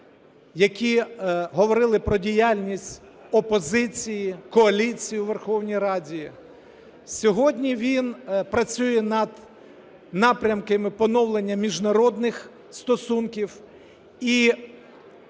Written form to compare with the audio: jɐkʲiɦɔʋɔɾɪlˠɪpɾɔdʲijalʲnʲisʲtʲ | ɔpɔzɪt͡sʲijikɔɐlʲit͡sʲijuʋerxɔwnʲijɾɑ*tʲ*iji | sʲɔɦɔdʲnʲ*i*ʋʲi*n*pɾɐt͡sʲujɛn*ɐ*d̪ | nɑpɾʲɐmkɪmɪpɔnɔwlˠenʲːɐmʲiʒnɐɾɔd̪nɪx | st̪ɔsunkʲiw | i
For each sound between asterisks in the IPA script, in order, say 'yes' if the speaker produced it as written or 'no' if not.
no, yes, yes, yes

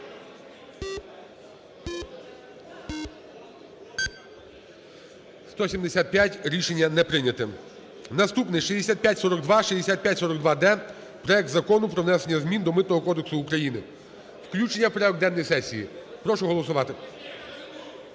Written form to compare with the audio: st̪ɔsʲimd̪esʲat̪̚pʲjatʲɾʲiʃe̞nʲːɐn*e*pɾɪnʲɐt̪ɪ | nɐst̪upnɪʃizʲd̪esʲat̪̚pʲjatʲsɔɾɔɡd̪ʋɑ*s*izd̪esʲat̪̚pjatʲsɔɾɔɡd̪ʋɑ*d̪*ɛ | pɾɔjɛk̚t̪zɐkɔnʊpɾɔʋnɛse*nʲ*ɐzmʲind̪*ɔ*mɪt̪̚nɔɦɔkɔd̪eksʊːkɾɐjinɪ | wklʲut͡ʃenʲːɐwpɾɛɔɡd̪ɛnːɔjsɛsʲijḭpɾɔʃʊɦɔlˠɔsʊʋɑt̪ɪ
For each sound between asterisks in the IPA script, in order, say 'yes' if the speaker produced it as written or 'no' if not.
no, no, yes, no, yes

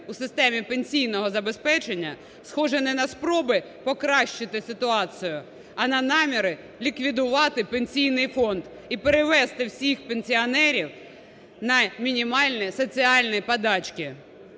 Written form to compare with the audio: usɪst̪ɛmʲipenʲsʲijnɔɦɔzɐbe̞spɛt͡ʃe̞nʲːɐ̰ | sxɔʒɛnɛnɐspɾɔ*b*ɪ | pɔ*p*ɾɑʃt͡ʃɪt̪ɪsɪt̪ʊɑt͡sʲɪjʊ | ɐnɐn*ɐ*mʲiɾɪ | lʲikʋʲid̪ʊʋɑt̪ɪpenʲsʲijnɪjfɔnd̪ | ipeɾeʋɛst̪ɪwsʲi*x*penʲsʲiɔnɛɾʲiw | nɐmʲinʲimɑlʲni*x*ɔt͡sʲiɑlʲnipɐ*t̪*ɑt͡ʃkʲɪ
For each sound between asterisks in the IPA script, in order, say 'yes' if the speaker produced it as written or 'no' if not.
yes, no, no, yes, no, no

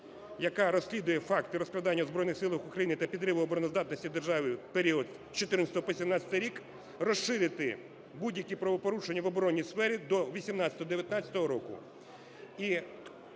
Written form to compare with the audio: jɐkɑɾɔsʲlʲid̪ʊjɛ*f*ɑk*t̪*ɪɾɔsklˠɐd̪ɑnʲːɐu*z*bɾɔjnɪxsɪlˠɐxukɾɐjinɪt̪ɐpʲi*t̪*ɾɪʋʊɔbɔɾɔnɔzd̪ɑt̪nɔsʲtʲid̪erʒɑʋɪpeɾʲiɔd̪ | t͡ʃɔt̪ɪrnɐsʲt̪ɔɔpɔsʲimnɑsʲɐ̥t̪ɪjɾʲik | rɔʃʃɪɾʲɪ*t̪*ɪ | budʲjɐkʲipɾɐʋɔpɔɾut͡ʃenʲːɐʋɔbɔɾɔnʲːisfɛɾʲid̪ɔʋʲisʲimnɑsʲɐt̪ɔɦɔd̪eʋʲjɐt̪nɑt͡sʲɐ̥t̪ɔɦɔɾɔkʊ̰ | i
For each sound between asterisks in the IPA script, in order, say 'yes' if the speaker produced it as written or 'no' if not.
yes, yes, yes, no, yes

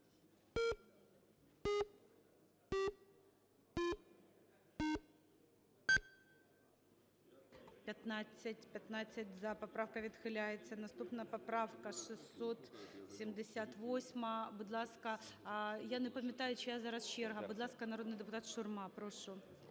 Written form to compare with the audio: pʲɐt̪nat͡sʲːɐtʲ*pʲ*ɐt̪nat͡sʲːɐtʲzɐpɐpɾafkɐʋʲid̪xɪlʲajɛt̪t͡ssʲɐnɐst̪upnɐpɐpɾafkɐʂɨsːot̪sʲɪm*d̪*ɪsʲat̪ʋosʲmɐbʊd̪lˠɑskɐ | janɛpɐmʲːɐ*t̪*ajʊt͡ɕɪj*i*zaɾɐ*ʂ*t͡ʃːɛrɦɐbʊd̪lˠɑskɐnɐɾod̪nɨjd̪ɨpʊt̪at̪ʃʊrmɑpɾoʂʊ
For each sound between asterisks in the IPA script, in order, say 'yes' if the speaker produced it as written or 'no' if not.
yes, yes, yes, no, no

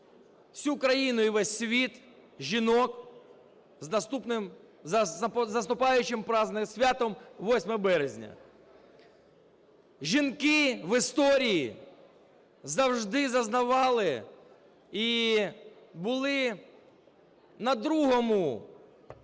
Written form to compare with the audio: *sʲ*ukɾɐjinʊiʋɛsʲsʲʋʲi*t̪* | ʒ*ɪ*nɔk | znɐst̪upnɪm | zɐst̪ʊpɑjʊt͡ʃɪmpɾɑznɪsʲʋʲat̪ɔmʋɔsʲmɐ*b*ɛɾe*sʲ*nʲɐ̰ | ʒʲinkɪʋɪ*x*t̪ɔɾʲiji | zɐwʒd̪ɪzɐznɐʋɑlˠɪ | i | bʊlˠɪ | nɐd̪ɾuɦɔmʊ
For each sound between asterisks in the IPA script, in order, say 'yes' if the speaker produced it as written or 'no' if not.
yes, yes, no, yes, no, no

